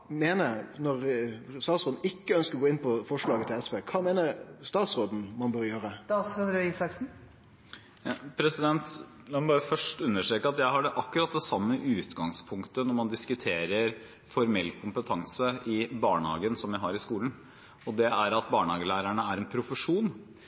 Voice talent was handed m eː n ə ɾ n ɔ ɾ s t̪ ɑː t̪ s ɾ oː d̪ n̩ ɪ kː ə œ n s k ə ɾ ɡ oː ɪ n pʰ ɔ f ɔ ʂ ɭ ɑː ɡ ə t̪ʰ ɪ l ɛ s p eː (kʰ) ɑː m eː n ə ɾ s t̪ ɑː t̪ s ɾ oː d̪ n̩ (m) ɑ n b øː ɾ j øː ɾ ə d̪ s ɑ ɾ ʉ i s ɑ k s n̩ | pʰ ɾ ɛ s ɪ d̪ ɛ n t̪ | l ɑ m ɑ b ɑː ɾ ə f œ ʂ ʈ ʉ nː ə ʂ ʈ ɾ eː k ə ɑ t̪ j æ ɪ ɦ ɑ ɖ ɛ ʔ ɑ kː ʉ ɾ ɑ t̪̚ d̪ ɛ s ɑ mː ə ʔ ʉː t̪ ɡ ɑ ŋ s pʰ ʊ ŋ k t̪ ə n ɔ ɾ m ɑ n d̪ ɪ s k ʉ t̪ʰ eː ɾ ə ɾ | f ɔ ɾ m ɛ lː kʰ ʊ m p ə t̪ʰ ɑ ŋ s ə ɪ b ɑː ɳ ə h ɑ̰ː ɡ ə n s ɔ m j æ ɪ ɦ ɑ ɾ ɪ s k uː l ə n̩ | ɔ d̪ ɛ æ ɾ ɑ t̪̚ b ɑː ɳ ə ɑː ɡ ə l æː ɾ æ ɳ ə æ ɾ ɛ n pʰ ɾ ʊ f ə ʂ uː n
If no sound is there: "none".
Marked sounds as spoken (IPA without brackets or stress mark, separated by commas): kʰ, m